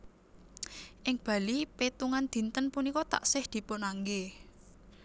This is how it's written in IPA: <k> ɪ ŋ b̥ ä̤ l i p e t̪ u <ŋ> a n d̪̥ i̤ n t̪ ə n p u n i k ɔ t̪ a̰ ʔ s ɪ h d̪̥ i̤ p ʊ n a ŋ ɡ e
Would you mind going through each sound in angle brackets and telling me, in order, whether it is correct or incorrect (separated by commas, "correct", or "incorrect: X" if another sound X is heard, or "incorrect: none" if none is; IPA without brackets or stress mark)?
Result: incorrect: ʔ, correct